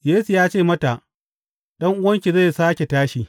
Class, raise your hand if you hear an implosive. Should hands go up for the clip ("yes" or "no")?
yes